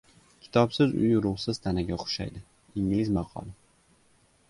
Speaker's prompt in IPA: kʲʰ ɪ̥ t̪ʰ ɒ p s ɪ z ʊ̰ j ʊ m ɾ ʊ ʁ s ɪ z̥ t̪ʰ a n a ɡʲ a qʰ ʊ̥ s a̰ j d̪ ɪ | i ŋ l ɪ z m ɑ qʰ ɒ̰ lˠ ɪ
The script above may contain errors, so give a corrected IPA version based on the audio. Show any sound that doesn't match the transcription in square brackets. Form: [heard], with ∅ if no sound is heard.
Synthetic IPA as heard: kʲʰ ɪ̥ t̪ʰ ɒ p s ɪ z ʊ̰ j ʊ [∅] ɾ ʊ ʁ s ɪ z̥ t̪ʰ a n a ɡʲ a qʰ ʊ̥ [ʃ] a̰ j d̪ ɪ | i ŋ l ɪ z m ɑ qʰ ɒ̰ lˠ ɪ